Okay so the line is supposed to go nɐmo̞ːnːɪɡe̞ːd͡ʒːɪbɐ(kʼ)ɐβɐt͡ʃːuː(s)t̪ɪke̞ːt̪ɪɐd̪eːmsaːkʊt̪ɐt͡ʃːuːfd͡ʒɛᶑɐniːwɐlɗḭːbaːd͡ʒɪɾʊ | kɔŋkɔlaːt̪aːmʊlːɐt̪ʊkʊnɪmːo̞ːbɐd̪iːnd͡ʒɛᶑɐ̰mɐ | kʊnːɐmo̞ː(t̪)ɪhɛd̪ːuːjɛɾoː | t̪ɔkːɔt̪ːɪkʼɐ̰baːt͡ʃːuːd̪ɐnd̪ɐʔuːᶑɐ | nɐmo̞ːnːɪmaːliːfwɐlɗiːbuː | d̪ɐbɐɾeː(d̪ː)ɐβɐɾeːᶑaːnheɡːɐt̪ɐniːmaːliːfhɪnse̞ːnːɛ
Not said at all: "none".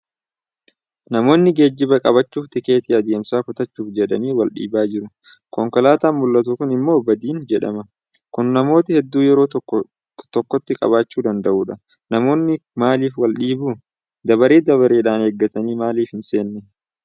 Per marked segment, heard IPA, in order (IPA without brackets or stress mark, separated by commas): kʼ, f, t̪, d̪